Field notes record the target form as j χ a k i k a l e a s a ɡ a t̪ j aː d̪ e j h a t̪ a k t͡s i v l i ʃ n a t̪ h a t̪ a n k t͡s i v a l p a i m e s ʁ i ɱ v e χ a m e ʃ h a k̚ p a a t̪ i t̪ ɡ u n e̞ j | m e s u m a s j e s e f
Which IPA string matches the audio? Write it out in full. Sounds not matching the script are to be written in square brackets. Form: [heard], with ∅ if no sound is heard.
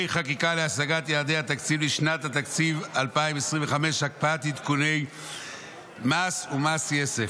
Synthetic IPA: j χ a k i k a l e a s a ɡ a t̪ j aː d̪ e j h a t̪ a k t͡s i v l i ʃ n a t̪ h a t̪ a [∅] k t͡s i v a l p a i m e s ʁ i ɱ v e χ a m e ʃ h a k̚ p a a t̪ i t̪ [k] u n e̞ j | m [a] s u m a s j e s e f